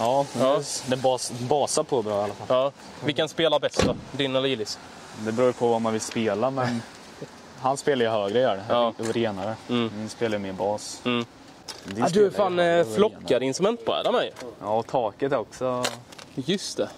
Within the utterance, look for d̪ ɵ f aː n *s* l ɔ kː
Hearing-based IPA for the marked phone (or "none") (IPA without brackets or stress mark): f